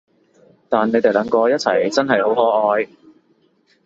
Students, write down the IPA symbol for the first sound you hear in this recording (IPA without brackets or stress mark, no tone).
t̪